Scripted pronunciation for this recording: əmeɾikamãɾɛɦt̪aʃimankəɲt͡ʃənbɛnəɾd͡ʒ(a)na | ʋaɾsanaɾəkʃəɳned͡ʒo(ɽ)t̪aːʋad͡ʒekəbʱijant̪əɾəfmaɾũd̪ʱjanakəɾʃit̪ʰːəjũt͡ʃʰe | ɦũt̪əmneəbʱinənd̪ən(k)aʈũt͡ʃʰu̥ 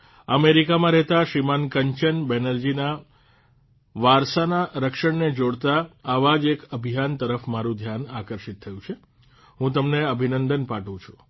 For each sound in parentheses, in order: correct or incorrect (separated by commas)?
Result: incorrect, correct, incorrect